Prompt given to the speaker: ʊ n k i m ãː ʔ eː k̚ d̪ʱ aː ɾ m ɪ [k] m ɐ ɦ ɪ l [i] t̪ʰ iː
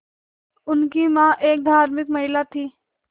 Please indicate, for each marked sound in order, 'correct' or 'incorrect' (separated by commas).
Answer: correct, incorrect